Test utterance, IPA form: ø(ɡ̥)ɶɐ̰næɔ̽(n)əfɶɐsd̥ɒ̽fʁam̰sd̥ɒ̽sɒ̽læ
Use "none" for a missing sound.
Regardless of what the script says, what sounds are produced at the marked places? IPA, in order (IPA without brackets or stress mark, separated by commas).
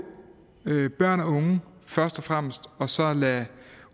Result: b̥, ŋ